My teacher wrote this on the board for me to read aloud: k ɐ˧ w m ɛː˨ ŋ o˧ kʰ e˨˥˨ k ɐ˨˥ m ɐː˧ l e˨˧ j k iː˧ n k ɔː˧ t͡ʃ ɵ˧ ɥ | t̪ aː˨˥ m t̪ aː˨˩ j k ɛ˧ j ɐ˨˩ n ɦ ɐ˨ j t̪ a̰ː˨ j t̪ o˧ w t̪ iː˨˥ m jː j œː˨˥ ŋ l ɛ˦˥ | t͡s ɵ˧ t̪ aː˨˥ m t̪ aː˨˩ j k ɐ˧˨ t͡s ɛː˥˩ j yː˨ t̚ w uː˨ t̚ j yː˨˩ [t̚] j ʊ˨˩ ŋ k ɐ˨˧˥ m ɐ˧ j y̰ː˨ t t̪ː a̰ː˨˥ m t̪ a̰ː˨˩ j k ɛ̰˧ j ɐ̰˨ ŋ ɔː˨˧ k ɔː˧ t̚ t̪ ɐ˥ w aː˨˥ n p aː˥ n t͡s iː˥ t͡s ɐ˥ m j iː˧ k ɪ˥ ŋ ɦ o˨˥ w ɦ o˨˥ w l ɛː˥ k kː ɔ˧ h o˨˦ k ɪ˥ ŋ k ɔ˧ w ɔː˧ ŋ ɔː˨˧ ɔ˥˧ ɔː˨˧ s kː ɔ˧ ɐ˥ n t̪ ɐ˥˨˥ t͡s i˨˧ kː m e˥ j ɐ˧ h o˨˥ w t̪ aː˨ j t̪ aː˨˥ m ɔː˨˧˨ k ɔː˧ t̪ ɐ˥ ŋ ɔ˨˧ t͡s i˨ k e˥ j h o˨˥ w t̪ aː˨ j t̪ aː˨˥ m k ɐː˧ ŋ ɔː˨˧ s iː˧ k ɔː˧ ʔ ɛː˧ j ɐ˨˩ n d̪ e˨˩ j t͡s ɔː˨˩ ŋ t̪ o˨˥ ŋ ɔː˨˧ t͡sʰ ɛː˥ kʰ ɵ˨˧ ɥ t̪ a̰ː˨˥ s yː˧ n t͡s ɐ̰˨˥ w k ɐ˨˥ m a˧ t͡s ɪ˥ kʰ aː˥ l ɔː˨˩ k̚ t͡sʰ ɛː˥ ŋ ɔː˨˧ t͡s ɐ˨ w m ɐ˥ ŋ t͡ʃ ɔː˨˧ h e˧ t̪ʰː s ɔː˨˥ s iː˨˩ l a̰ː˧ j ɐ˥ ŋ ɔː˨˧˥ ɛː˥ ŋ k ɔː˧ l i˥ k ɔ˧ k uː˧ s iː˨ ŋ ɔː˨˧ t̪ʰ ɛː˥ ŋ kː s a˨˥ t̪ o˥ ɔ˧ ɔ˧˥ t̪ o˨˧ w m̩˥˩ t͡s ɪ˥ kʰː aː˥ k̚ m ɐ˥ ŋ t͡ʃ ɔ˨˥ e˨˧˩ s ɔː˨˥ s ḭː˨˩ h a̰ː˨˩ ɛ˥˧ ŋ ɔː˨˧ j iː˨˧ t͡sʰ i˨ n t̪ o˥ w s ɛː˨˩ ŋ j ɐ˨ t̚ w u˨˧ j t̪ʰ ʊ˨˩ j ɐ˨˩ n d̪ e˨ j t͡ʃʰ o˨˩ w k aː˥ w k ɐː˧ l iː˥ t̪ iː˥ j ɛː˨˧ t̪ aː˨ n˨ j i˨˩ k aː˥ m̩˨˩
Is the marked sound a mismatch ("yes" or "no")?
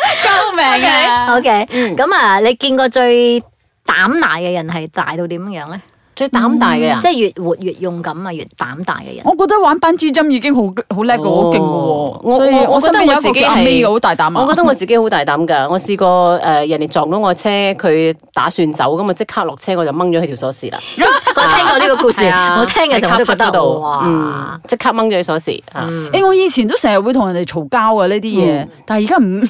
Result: no